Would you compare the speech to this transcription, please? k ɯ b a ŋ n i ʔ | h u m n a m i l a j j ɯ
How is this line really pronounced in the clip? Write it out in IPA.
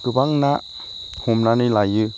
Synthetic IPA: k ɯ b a ŋ n a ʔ | h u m n a n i l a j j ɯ